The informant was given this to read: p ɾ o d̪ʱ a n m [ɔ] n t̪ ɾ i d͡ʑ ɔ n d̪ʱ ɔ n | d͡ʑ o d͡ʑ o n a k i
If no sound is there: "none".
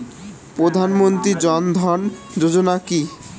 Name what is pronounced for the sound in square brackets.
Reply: o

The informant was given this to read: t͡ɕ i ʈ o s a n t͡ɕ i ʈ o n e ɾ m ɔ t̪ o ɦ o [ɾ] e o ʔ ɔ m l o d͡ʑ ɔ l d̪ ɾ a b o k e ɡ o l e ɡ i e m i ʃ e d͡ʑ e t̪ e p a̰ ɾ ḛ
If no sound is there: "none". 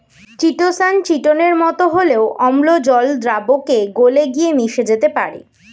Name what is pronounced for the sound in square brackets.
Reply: l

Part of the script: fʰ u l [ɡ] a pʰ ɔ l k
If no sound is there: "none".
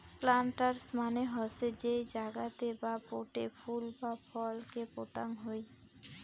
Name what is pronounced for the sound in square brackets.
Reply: b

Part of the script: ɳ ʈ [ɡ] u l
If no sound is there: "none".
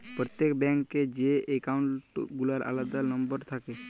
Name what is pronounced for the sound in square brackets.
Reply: ɡ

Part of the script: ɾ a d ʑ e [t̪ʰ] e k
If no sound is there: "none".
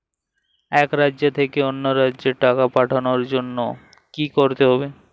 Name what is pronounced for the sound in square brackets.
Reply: t̪ʰ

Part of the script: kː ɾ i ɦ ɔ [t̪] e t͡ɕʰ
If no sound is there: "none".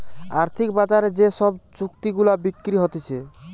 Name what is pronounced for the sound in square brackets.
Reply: t̪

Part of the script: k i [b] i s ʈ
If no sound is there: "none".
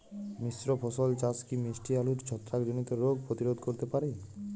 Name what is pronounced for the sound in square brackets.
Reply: m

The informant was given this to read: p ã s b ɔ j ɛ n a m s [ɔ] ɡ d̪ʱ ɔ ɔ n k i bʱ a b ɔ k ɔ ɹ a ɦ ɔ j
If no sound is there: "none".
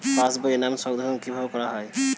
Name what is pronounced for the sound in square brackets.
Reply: ɔ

